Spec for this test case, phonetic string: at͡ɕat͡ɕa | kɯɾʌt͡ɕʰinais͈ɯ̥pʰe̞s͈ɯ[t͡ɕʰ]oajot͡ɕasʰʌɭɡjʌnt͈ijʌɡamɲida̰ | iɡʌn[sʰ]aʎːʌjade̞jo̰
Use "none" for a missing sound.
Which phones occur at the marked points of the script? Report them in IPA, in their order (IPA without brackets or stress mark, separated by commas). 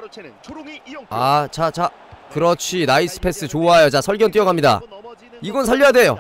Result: t͡ɕ, sʰ